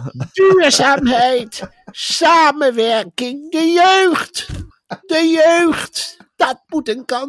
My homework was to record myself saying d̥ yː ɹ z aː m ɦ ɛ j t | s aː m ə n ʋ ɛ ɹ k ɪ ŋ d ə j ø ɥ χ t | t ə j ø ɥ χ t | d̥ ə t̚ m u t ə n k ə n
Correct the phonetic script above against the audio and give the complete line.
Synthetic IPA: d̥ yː ɹ z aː m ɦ ɛ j t | s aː m ə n ʋ ɛ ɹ k ɪ ŋ d ə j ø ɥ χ t | d ə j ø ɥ χ t | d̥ ɑ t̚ m u t ə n k ɑ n